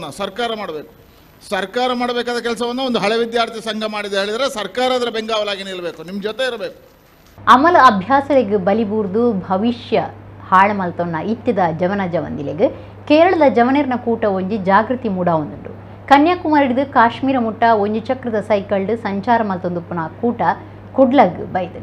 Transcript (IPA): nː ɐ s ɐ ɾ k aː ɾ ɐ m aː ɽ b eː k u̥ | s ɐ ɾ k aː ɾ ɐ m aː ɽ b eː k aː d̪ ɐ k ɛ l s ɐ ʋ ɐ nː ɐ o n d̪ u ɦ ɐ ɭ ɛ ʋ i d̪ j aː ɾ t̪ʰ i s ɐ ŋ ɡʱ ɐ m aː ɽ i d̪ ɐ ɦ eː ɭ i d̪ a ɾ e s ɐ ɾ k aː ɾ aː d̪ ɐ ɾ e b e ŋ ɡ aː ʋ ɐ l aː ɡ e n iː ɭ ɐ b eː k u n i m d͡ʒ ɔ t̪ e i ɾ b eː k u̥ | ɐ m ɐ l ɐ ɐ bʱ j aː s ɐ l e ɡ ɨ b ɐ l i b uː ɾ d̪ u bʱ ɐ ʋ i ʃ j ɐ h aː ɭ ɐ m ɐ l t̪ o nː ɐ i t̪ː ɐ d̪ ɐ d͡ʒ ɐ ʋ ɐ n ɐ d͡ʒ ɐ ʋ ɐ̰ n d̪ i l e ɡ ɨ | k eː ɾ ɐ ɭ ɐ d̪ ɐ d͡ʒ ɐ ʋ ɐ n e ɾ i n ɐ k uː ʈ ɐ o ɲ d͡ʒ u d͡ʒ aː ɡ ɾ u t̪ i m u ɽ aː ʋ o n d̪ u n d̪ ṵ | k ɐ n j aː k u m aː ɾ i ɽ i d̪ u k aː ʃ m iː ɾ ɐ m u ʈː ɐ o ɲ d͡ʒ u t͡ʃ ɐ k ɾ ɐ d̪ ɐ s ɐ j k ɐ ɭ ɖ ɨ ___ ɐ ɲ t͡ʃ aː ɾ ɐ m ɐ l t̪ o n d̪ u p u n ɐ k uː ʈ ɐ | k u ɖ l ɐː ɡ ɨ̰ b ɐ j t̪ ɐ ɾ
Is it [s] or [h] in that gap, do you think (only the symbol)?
s